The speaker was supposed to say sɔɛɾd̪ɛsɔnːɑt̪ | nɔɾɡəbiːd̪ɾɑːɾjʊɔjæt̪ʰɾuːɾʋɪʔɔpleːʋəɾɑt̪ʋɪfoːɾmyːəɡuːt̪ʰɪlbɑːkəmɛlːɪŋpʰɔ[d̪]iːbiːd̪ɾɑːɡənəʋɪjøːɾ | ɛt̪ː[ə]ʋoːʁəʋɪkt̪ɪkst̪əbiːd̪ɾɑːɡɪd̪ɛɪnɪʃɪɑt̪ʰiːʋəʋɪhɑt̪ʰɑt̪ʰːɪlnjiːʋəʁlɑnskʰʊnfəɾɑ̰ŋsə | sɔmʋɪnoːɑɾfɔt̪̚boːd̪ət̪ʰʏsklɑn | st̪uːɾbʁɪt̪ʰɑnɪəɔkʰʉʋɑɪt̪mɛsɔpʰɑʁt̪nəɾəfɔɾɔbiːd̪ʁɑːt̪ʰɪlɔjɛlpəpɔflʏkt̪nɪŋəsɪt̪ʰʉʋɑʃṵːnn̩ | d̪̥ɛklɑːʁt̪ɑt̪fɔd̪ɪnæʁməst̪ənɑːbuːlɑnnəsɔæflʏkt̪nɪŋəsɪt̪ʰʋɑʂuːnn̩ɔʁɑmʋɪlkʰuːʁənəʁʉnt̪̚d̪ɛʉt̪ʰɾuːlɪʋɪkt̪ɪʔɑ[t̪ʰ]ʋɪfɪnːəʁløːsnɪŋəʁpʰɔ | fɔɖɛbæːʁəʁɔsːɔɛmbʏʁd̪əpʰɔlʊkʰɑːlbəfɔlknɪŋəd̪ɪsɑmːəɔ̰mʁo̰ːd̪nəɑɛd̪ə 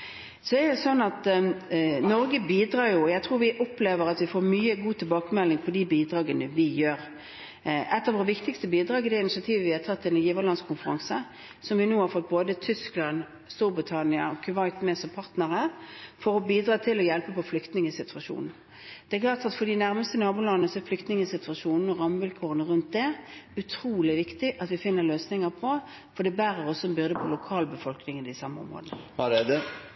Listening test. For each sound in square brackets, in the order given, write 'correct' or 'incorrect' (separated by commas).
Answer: correct, incorrect, incorrect